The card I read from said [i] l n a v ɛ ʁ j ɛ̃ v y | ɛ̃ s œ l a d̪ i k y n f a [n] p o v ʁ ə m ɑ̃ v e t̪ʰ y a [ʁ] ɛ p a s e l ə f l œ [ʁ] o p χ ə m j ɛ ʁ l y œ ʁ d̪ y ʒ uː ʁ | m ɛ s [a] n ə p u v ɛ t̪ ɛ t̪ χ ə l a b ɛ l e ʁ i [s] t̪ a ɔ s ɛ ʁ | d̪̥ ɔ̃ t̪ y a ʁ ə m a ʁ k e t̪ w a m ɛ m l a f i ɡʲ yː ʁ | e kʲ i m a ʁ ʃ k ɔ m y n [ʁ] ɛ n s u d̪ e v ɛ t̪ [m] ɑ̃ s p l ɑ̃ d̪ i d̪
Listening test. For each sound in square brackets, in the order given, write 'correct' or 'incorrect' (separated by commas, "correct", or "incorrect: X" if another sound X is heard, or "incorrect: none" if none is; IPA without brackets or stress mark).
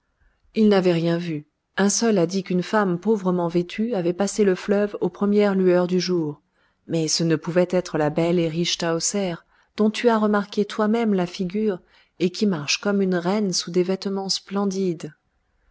correct, incorrect: m, incorrect: v, incorrect: v, incorrect: ə, incorrect: ʃ, correct, correct